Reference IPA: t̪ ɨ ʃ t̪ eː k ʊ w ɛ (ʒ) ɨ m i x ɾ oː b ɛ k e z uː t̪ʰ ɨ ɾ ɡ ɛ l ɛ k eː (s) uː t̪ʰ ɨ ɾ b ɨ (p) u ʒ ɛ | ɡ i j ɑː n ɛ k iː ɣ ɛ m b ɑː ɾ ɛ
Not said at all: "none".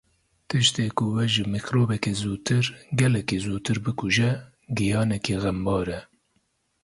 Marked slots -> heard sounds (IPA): ʒ, z, k

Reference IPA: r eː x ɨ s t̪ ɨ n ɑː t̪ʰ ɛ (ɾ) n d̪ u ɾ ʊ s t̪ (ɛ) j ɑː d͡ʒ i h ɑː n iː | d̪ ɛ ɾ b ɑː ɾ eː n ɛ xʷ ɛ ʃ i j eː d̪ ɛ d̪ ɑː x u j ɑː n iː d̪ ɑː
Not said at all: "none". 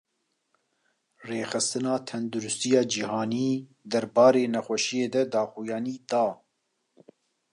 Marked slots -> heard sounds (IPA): none, i

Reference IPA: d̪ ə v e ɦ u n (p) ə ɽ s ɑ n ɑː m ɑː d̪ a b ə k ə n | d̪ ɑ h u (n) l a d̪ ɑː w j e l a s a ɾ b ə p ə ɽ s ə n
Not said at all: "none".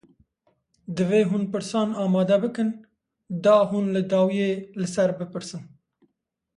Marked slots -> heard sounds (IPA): p, n

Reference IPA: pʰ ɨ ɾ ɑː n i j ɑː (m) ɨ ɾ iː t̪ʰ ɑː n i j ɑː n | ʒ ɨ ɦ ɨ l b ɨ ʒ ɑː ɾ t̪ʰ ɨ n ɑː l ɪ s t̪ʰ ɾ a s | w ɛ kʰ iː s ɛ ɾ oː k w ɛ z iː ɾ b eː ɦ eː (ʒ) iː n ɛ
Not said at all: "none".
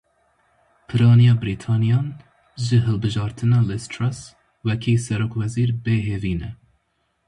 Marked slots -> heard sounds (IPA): b, v

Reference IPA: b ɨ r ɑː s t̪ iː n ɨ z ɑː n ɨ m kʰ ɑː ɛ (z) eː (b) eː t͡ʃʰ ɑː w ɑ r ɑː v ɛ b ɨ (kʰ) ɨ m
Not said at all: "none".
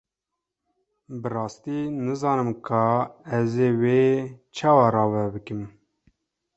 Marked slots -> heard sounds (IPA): z, w, k

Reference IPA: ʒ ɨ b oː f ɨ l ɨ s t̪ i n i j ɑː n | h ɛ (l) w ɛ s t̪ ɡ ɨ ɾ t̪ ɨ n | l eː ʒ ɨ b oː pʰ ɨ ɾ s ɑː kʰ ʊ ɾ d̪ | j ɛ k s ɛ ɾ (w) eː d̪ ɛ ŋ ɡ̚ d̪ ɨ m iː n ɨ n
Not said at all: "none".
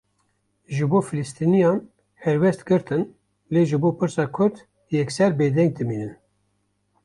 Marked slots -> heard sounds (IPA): ɾ, b

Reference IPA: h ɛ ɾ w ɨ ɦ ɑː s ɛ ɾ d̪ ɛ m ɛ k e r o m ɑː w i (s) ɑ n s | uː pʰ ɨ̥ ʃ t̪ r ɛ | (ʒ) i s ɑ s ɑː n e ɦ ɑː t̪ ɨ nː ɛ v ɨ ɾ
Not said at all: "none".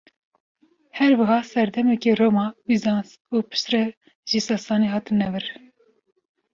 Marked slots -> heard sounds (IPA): z, ʒ

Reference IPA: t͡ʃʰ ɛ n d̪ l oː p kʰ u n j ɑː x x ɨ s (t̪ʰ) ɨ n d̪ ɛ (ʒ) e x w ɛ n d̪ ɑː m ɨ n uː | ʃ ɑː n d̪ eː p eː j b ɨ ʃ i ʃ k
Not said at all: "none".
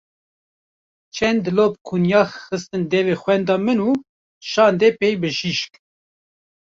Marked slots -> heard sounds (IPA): t̪, v

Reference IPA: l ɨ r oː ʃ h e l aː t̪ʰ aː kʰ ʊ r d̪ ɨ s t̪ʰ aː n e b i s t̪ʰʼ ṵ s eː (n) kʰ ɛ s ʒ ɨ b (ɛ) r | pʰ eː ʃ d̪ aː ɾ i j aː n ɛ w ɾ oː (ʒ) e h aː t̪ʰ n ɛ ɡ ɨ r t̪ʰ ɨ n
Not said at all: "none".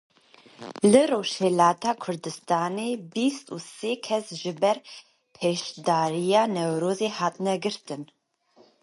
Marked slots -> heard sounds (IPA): none, ɛ, z

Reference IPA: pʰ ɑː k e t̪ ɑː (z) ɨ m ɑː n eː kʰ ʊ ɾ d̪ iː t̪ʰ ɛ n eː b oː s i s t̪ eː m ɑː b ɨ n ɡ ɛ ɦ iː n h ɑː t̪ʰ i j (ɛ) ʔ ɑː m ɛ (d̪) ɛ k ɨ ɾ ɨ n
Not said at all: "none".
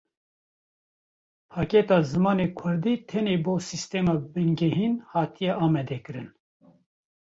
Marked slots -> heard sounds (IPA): z, ɛ, d̪

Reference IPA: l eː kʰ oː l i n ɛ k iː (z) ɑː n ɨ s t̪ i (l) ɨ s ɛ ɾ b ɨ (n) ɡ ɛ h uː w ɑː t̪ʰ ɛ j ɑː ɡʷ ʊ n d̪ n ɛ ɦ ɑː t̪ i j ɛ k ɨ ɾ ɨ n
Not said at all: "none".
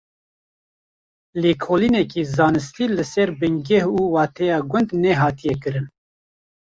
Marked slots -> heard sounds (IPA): z, l, ŋ

